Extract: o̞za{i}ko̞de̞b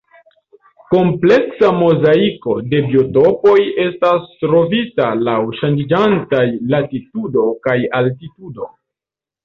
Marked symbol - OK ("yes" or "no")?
yes